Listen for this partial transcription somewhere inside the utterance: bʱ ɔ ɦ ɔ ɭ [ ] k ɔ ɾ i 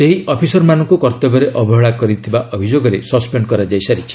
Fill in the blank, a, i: a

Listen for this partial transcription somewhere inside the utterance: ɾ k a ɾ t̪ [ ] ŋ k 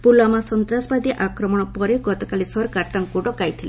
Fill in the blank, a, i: a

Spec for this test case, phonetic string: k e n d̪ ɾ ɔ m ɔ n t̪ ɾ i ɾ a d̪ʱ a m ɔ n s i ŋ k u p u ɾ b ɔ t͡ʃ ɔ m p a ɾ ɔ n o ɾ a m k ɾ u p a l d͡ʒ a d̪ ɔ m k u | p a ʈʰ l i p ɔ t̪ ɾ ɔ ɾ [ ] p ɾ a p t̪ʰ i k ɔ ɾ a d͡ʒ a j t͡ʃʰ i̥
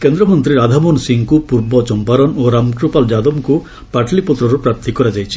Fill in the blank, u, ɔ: u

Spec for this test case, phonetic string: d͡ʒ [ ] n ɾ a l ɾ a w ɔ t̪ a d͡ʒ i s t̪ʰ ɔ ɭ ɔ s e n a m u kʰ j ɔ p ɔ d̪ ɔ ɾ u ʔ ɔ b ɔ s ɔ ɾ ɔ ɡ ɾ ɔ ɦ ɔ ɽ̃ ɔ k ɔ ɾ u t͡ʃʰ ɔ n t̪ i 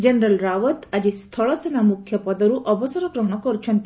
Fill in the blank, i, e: e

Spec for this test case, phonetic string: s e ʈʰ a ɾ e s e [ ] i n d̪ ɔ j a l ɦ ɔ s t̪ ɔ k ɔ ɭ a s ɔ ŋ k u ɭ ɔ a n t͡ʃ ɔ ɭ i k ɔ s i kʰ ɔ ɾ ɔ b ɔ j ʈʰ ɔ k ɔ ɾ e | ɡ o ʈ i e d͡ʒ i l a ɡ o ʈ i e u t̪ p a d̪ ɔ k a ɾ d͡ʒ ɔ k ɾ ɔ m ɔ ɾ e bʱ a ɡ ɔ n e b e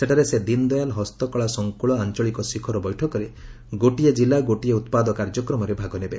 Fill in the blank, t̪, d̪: d̪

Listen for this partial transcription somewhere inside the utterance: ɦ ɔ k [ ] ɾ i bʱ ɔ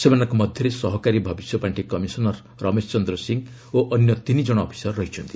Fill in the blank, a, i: a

